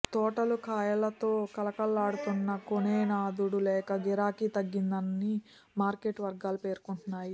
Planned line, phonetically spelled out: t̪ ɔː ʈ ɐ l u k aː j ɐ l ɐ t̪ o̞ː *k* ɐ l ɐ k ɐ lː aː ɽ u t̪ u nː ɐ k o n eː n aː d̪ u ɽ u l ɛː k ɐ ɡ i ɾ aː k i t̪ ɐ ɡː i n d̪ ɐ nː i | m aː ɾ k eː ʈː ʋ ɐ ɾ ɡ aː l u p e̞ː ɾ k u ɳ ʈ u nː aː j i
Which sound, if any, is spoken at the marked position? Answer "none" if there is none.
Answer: k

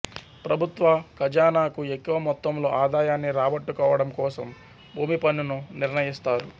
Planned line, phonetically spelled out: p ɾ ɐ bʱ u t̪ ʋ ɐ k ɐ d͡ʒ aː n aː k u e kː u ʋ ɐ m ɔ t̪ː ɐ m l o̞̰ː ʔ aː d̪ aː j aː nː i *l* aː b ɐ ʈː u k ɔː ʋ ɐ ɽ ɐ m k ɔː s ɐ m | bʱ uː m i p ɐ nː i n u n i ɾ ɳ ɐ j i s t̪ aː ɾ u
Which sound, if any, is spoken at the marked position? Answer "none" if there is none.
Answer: ɾ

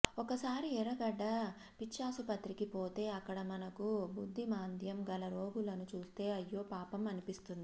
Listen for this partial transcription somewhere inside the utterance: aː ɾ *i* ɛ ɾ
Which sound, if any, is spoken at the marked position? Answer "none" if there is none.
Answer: i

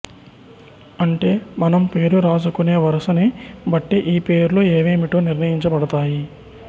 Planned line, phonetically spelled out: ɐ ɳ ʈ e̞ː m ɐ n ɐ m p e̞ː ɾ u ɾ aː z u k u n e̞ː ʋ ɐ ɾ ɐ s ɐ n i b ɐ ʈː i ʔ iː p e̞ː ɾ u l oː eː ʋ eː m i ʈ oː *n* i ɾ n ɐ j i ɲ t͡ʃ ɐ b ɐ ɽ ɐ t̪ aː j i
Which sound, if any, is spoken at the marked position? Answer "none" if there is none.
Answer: n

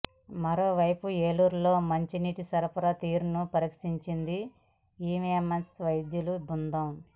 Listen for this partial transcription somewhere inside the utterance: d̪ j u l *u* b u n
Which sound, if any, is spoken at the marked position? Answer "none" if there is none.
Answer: u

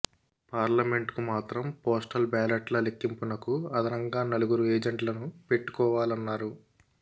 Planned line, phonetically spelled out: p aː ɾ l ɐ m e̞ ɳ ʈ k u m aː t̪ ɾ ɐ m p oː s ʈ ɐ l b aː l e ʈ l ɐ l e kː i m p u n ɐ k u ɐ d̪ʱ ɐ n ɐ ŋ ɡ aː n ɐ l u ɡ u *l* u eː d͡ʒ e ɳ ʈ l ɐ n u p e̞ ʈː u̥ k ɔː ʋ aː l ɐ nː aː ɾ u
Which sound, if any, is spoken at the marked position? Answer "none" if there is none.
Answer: ɾ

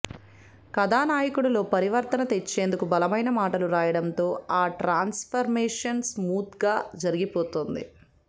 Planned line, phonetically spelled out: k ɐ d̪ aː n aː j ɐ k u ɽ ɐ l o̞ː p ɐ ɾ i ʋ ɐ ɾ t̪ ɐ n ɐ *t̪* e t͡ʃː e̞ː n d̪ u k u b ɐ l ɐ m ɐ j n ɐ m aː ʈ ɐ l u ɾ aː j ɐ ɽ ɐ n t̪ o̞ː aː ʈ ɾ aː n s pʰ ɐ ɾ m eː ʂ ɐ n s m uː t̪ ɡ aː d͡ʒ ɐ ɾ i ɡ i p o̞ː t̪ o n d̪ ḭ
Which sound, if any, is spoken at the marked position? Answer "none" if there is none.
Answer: t̪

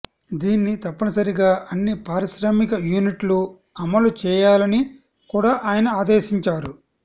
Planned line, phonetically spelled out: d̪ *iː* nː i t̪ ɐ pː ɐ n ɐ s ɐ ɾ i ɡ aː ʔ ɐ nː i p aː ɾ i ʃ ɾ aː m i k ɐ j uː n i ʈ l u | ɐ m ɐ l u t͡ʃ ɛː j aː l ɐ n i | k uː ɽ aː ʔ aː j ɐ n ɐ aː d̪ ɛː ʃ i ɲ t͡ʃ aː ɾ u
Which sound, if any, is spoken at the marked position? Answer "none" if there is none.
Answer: iː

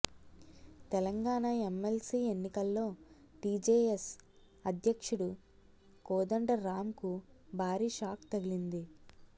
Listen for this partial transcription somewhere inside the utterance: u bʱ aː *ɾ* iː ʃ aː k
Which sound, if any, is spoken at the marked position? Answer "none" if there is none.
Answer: ɾ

